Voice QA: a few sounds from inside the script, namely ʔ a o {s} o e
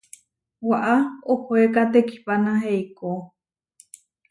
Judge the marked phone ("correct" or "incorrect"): incorrect